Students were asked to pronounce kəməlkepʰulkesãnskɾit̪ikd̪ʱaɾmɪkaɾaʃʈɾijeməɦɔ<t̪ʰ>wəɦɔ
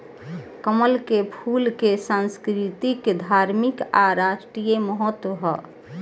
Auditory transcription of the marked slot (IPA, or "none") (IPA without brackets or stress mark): t̪